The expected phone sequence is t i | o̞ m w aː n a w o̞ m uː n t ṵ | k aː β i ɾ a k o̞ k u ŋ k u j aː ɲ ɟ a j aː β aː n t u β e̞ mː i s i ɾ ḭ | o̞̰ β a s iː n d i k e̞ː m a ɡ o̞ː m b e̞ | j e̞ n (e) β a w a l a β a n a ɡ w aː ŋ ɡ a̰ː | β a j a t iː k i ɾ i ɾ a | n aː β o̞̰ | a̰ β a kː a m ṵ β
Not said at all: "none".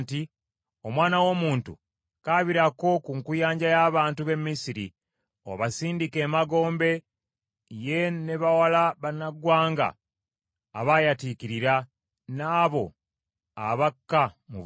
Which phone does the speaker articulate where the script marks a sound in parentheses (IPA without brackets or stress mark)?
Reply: e